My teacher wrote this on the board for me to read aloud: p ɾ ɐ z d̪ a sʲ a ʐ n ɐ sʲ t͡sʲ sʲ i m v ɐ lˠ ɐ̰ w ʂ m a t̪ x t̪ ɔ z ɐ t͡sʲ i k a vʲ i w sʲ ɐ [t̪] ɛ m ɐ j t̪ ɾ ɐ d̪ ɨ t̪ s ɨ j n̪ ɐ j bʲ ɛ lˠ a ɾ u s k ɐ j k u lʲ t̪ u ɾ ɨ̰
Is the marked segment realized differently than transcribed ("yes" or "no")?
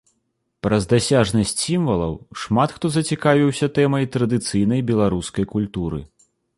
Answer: no